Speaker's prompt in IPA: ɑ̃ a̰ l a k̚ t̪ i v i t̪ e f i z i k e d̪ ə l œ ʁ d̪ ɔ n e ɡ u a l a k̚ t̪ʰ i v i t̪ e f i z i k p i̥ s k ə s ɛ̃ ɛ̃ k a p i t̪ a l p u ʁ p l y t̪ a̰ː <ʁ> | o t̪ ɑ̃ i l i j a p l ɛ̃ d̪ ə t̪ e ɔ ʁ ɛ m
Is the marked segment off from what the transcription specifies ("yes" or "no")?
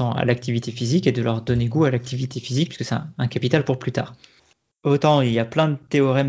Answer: no